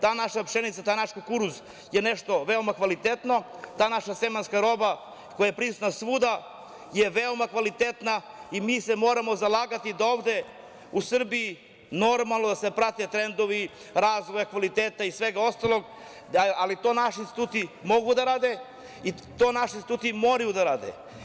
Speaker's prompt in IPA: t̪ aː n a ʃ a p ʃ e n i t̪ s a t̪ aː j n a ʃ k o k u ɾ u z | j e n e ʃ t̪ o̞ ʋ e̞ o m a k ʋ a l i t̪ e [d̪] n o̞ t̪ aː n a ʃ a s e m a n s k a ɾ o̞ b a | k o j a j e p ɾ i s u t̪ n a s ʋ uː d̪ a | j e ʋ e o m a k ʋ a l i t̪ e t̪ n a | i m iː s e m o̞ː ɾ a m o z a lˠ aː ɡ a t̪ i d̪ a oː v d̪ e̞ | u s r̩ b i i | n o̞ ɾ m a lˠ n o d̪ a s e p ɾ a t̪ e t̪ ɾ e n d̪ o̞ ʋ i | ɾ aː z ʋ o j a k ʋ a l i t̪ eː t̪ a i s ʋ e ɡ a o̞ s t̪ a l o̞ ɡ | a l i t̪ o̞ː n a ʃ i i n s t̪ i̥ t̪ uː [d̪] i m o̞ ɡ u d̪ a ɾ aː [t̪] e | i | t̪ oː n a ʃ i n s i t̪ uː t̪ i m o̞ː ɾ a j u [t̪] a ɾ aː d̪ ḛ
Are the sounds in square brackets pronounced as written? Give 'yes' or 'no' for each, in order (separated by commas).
no, no, no, no